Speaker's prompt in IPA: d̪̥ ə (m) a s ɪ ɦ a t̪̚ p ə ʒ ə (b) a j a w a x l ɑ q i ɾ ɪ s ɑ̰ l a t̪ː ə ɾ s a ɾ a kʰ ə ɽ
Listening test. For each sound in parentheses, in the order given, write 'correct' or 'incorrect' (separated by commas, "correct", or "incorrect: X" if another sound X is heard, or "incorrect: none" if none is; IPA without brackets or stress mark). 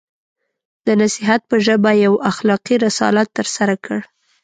incorrect: n, correct